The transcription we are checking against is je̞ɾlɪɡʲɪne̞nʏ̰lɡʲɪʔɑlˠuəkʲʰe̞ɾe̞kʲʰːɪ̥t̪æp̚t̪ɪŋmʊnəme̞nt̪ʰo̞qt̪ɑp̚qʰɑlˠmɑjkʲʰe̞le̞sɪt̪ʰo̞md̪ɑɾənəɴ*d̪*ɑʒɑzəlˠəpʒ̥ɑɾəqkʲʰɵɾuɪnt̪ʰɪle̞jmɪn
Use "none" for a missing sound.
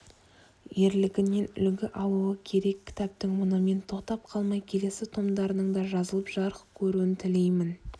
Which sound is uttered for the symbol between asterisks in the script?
d̪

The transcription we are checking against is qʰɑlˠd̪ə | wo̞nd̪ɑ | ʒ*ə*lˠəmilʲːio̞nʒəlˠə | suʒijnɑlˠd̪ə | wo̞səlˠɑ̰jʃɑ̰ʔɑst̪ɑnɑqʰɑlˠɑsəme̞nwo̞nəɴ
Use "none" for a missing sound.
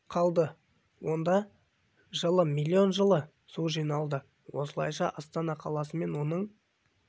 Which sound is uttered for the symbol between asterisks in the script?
ə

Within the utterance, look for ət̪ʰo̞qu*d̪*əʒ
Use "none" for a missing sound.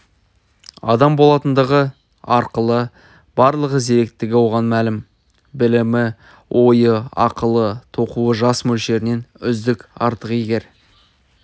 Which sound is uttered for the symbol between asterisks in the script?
none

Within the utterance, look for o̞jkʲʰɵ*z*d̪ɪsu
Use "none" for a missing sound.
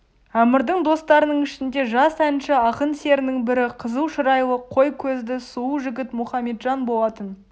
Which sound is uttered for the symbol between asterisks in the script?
z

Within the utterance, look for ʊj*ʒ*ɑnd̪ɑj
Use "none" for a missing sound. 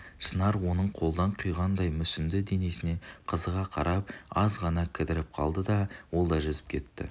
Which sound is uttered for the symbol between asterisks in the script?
ʁ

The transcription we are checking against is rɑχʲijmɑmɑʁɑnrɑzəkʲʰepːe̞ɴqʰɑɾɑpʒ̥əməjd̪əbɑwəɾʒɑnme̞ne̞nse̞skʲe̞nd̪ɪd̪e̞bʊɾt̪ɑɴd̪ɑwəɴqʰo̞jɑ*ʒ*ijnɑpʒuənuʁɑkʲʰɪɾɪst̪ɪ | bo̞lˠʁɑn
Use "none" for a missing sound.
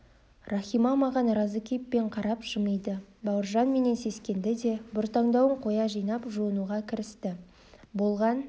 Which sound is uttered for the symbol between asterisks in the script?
ʒ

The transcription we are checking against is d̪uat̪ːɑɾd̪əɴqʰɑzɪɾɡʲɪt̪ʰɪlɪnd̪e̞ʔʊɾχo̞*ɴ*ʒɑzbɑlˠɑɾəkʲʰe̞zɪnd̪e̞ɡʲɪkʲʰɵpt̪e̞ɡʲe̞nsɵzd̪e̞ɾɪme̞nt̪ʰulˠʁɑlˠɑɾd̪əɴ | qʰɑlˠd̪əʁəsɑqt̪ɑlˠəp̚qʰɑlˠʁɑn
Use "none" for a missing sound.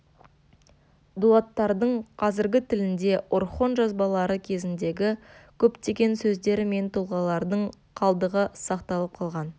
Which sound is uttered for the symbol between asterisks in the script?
n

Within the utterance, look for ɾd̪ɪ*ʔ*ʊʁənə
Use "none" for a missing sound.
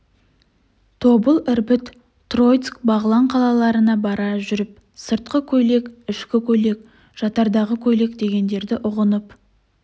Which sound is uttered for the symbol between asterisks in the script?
ʔ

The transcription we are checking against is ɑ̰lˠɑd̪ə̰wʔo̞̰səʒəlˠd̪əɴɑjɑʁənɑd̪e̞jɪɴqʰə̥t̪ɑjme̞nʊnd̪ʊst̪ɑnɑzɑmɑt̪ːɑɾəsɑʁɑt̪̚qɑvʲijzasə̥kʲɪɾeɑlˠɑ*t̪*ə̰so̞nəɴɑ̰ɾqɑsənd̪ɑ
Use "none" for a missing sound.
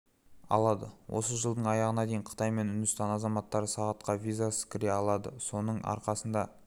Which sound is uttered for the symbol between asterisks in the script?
d̪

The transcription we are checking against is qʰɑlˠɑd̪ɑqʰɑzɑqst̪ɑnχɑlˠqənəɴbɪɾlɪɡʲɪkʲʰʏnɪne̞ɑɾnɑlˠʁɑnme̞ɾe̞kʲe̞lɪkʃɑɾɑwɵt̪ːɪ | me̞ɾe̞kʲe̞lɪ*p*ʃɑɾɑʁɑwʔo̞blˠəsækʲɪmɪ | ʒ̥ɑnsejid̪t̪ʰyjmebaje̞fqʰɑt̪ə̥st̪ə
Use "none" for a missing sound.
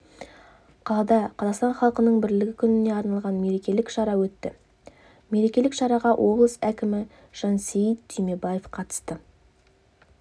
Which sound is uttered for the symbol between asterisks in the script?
k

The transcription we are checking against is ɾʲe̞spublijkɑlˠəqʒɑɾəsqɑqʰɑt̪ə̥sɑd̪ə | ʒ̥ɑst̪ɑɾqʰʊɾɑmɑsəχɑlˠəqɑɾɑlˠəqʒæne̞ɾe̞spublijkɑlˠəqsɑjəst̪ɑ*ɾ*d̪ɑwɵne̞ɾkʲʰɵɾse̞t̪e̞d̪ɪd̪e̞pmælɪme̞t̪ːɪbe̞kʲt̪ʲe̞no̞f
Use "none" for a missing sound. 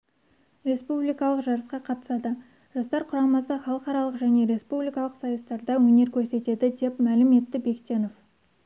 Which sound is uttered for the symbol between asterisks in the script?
ɾ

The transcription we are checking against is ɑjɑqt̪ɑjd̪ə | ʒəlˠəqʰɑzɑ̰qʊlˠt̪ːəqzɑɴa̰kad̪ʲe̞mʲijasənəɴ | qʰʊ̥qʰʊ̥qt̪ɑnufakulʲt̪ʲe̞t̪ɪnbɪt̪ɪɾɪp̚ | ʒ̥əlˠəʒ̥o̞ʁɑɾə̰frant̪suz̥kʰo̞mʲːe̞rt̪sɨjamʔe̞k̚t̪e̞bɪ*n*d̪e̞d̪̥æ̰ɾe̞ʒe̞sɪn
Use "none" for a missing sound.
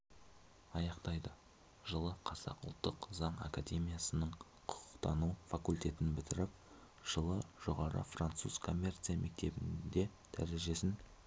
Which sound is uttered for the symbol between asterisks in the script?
n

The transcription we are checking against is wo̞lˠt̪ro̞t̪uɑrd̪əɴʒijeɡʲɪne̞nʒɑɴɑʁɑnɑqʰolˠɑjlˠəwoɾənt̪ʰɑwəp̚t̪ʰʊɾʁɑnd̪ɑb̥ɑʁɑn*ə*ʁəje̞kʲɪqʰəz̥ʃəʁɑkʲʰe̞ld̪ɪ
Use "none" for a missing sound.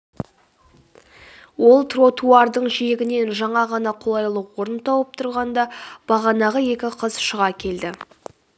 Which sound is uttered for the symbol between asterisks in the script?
ɑ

